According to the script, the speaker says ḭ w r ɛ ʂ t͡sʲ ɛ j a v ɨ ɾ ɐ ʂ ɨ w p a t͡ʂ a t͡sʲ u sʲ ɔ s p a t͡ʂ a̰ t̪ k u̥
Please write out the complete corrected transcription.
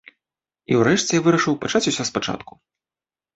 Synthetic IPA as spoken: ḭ w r ɛ ʂ t͡sʲ ɛ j a v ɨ ɾ ɐ ʂ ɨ w p a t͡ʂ a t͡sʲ u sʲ ɔ s p a t͡ʂ a̰ t̪ k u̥